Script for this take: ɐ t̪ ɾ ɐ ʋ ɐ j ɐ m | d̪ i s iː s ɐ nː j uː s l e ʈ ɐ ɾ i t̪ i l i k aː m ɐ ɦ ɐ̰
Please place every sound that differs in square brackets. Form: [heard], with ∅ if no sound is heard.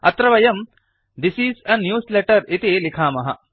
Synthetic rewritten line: ɐ t̪ ɾ ɐ ʋ ɐ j ɐ m | d̪ i s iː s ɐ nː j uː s l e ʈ ɐ ɾ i t̪ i l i [kʰ] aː m ɐ ɦ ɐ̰